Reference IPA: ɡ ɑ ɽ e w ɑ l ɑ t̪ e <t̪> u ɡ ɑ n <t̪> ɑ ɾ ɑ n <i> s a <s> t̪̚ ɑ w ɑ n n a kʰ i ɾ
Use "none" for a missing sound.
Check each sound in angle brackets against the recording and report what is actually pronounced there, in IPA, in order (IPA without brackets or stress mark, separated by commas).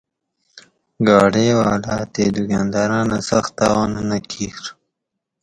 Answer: d̪, d̪, a, x